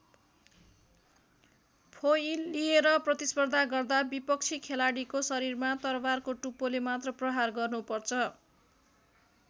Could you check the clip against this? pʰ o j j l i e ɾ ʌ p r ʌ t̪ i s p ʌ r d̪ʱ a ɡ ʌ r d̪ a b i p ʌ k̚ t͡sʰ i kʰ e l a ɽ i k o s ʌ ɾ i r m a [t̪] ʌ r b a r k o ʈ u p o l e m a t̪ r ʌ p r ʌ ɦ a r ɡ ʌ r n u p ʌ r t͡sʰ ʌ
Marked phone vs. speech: correct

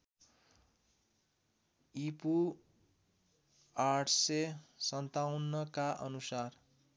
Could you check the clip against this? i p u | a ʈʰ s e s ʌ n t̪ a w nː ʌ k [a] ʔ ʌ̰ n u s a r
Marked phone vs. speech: correct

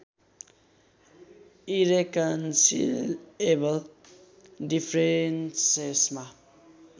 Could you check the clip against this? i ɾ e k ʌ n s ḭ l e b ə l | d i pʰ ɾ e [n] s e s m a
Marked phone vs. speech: correct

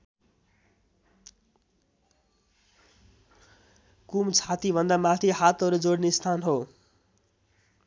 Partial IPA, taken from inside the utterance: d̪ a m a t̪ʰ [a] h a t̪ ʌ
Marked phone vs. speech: incorrect: i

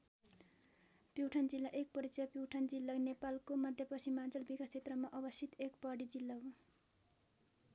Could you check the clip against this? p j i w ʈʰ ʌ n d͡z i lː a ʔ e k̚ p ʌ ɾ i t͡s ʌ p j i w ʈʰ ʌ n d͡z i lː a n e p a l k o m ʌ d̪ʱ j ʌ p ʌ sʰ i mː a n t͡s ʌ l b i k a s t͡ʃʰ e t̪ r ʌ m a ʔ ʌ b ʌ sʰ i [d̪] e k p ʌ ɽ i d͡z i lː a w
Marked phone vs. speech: incorrect: t̪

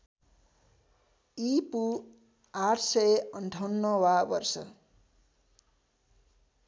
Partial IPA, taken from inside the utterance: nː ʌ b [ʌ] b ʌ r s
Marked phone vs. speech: incorrect: a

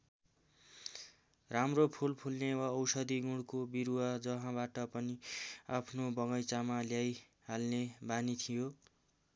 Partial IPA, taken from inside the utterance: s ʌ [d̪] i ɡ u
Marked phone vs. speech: correct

